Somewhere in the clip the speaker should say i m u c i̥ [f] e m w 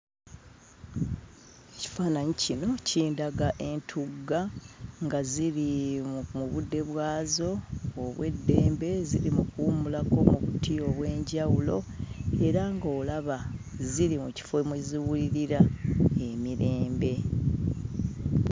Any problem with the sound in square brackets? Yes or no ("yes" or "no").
no